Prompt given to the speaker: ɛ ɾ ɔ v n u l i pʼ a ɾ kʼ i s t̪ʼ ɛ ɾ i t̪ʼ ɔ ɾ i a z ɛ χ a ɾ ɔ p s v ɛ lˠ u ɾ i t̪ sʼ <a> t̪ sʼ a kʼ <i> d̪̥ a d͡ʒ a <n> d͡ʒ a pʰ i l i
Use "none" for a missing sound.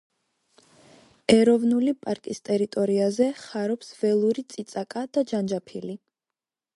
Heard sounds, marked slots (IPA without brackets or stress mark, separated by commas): i, a, n